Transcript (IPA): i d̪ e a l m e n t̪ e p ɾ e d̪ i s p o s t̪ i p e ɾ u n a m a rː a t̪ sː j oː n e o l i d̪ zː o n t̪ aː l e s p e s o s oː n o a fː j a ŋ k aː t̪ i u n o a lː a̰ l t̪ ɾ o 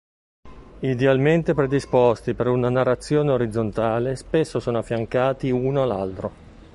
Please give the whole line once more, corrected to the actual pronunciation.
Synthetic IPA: i d̪ e a l m e n t̪ e p ɾ e d̪ i s p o s t̪ i p e ɾ u n a n a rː a t̪ sː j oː n e o ɾ i d̪ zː o n t̪ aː l e s p e sː o s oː n o a fː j a ŋ k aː t̪ i u n o a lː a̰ l t̪ ɾ o